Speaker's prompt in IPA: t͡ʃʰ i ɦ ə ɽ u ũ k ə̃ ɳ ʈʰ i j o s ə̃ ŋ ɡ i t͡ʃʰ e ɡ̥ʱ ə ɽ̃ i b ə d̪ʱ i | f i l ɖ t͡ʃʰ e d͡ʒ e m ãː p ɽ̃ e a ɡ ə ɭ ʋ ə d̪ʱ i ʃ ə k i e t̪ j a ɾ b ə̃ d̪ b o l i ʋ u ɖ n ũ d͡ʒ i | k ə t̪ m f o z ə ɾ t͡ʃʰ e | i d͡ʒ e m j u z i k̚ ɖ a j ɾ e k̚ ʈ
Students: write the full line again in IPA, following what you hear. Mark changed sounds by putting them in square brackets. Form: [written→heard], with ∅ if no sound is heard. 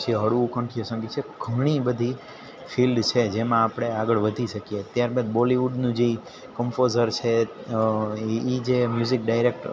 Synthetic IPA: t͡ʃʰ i ɦ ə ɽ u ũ k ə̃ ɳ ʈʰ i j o s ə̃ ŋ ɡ i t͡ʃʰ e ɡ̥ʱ ə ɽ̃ i b ə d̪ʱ i | f i l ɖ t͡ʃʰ e d͡ʒ e m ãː p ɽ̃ e a ɡ ə ɭ ʋ ə d̪ʱ i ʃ ə k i e t̪ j a ɾ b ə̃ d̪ b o l i ʋ u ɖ n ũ d͡ʒ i | k ə [t̪→∅] m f o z ə ɾ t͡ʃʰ e | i d͡ʒ e m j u z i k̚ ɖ a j ɾ e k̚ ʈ

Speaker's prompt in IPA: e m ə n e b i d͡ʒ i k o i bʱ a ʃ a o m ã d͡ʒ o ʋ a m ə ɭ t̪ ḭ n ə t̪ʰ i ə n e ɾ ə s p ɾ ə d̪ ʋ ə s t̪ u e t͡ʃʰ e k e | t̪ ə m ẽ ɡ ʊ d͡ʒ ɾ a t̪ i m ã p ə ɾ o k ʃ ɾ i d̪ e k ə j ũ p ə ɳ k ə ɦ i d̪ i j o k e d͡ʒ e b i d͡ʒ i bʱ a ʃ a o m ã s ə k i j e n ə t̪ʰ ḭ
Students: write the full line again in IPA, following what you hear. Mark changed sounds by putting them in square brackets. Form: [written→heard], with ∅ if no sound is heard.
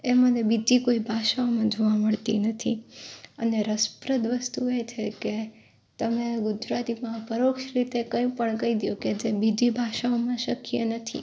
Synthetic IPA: e m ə n e b i d͡ʒ i k o i bʱ a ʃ a o m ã d͡ʒ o ʋ a m ə ɭ t̪ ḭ n ə t̪ʰ i ə n e ɾ ə s p ɾ ə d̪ ʋ ə s t̪ u e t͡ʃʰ e k e | t̪ ə m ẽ ɡ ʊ d͡ʒ ɾ a t̪ i m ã p ə ɾ o k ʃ ɾ i [d̪→t̪] e k ə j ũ p ə ɳ k ə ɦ i d̪ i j o k e d͡ʒ e b i d͡ʒ i bʱ a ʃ a o m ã [s→ʃ] ə k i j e n ə t̪ʰ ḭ

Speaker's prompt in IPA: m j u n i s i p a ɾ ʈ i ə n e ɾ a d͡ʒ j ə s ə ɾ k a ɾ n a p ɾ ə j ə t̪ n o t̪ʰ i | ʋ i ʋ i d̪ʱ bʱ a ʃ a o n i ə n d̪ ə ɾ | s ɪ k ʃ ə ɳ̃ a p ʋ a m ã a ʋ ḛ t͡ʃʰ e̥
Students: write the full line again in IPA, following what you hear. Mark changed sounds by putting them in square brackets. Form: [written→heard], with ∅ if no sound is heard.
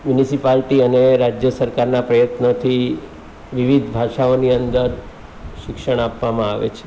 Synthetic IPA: m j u n i s i p a [ɾ→l] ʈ i ə n e ɾ a d͡ʒ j ə s ə ɾ k a ɾ n a p ɾ ə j ə t̪ n o t̪ʰ i | ʋ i ʋ i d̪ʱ bʱ a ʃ a o n i ə n d̪ ə ɾ | [s→ʃ] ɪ k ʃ ə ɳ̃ a p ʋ a m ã a ʋ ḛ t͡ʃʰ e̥

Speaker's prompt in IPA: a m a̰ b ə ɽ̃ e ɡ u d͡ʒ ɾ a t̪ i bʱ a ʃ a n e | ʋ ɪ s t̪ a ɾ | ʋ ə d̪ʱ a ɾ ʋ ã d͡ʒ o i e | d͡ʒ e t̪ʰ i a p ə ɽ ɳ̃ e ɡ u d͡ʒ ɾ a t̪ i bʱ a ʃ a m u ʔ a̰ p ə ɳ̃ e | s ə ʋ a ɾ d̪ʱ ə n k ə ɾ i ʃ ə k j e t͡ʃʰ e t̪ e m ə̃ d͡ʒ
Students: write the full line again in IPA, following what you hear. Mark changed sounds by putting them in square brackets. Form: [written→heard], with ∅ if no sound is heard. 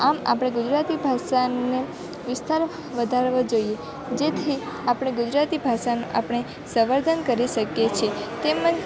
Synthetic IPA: a m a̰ [b→p] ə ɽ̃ e ɡ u d͡ʒ ɾ a t̪ i bʱ a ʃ a n e | ʋ ɪ s t̪ a ɾ | ʋ ə d̪ʱ a ɾ ʋ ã d͡ʒ o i e | d͡ʒ e t̪ʰ i a p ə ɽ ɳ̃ e ɡ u d͡ʒ ɾ a t̪ i bʱ a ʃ a [m→n] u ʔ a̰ p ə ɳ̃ e | s ə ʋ [a→ə] ɾ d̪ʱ ə n k ə ɾ i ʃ ə k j e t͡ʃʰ e t̪ e m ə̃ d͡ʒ

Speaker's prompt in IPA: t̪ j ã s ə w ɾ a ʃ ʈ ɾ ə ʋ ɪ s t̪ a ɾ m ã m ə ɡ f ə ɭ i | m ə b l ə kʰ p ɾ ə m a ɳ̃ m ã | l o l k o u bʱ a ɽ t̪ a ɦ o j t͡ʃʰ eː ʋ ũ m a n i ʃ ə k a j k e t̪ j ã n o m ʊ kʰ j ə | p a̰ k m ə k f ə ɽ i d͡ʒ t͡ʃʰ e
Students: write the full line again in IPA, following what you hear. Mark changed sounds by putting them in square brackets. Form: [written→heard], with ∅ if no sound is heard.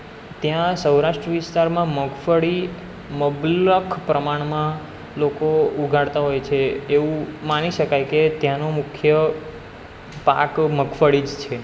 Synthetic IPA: t̪ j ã s ə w ɾ a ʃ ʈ ɾ ə ʋ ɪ s t̪ a ɾ m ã m ə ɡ f ə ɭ i | m ə b l ə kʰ p ɾ ə m a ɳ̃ m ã | l o [l→∅] k o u [bʱ→ɡʱ] a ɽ t̪ a ɦ o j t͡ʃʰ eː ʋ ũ m a n i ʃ ə k a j k e t̪ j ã n o m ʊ kʰ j ə | p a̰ k m ə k f ə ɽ i d͡ʒ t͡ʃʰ e

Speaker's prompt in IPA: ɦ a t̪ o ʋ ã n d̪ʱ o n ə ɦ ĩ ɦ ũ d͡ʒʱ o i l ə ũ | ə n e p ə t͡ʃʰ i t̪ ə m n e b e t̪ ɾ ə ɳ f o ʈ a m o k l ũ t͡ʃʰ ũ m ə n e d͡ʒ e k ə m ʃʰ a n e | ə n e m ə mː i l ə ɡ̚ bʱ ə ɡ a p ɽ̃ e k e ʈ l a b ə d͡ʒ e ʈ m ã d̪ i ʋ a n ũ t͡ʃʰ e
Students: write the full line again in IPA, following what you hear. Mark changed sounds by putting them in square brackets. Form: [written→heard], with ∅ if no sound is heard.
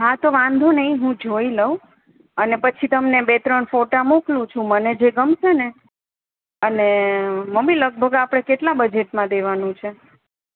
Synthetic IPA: ɦ a t̪ o ʋ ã n d̪ʱ o n ə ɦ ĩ ɦ ũ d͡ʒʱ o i l ə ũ | ə n e p ə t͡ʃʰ i t̪ ə m n e b e t̪ ɾ ə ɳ f o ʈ a m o k l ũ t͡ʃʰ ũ m ə n e d͡ʒ e [k→ɡ] ə m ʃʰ [a→e] n e | ə n e m ə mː i l ə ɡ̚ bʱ ə ɡ a p ɽ̃ e k e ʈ l a b ə d͡ʒ e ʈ m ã d̪ [i→e] ʋ a n ũ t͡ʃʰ e

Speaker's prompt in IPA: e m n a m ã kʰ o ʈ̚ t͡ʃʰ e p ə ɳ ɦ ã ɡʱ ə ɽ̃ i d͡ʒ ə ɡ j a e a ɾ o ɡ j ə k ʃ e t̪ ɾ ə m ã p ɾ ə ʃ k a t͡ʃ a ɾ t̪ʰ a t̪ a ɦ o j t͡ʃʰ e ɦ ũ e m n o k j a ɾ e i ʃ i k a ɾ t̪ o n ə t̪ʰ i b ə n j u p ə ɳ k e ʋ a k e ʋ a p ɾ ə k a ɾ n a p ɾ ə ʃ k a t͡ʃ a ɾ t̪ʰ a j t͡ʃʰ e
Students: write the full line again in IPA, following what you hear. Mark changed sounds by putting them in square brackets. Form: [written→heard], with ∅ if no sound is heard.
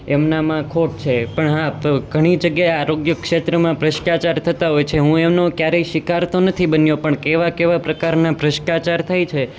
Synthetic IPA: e m n a m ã kʰ o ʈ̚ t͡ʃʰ e p ə ɳ ɦ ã ɡʱ ə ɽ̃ i d͡ʒ ə ɡ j a e a ɾ o ɡ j ə k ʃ e t̪ ɾ ə m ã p ɾ ə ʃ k a t͡ʃ a ɾ t̪ʰ [a→ə] t̪ a ɦ o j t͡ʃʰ e ɦ ũ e m n o k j a ɾ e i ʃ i k a ɾ t̪ o n ə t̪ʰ i b ə n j [u→o] p ə ɳ k e ʋ a k e ʋ a p ɾ ə k a ɾ n a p ɾ ə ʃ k a t͡ʃ a ɾ t̪ʰ a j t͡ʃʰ e

